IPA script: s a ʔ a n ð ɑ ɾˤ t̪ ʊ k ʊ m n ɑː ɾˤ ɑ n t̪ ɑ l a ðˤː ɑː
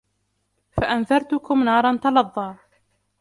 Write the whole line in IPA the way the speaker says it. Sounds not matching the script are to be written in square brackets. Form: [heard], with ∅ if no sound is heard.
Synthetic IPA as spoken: [f] a ʔ a n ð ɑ ɾˤ t̪ ʊ k ʊ m n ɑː ɾˤ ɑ n t̪ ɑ l [ɑ] ðˤː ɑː